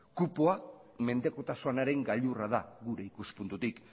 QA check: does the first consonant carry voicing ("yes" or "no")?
no